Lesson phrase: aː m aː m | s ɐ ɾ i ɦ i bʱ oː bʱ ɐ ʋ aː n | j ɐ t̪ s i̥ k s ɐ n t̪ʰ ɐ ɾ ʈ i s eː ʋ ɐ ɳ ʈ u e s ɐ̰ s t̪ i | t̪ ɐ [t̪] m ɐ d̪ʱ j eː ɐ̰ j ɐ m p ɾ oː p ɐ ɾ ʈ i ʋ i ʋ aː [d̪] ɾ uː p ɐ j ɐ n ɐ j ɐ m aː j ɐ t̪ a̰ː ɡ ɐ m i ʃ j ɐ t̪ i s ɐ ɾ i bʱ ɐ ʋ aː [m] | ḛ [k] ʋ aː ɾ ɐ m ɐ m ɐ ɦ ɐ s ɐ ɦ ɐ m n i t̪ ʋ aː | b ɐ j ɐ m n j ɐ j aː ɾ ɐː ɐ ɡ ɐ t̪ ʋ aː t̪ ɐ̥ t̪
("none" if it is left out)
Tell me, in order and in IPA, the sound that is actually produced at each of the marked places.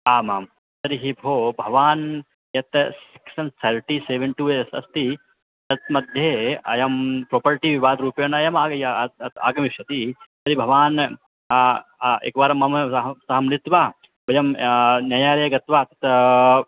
t̪, d̪, n, k

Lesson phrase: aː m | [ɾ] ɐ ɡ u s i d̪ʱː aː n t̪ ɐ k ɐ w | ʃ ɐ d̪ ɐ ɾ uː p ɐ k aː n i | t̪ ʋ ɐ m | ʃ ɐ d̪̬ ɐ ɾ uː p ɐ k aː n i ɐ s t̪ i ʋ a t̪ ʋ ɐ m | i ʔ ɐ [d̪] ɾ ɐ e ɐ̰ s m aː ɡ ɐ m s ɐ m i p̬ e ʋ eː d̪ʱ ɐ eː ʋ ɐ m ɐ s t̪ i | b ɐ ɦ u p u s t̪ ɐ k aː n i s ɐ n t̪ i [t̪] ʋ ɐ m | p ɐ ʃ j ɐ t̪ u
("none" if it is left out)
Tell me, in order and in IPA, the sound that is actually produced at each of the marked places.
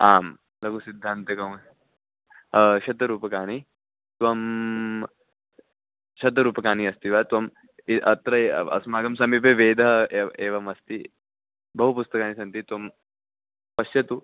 l, t̪, t̪

